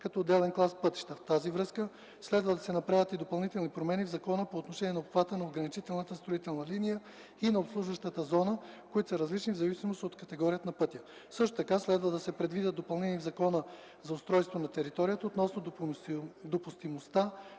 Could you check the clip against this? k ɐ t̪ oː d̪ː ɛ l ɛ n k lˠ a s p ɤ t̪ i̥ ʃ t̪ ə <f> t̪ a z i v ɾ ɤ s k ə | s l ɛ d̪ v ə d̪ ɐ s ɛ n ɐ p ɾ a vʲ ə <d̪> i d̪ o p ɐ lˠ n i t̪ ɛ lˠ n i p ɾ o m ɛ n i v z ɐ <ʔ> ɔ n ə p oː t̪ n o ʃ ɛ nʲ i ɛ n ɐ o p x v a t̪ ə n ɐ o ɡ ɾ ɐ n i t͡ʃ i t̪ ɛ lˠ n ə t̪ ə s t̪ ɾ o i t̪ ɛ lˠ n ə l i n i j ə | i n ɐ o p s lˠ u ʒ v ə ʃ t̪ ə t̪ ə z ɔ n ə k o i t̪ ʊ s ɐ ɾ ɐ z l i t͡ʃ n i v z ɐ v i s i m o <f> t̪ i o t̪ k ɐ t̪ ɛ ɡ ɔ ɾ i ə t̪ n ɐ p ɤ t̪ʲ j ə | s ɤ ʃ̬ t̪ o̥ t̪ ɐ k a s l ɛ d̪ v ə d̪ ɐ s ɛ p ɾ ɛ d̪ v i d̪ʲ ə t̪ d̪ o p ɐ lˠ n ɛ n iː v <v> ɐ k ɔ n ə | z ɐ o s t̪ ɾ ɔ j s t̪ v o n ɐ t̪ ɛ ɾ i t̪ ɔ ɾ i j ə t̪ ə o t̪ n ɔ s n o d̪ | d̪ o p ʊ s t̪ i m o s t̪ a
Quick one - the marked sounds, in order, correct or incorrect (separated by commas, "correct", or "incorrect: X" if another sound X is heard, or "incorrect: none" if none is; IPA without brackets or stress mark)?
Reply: correct, incorrect: t̪, incorrect: k, incorrect: s, incorrect: z